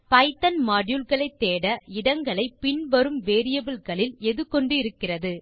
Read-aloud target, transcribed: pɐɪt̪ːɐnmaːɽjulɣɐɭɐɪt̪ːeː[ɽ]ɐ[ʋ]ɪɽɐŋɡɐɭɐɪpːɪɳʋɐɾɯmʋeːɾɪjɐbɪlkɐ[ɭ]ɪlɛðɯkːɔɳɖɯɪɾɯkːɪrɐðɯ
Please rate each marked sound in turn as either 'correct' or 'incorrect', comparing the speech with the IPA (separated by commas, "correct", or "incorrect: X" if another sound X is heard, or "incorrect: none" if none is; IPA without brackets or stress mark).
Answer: correct, incorrect: none, correct